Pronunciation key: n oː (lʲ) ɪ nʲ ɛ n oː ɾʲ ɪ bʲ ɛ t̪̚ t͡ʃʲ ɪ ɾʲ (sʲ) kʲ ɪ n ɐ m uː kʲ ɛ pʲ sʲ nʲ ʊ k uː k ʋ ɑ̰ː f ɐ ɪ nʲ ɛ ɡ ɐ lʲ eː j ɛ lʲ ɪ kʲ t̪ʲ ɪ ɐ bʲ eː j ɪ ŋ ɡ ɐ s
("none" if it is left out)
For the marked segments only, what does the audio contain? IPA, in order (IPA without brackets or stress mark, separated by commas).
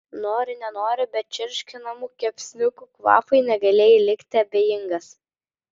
ɾʲ, ʃʲ